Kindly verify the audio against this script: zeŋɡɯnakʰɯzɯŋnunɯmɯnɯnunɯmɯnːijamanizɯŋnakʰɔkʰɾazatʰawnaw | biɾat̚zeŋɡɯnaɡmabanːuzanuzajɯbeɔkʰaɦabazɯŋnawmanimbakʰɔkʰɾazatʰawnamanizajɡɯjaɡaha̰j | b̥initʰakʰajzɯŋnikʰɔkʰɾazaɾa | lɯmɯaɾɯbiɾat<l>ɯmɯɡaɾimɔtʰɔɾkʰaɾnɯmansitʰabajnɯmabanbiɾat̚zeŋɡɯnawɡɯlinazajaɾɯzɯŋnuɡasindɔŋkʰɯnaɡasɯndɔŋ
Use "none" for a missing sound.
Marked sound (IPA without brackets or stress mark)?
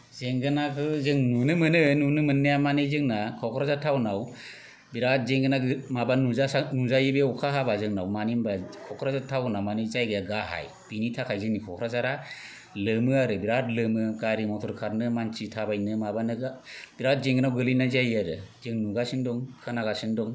l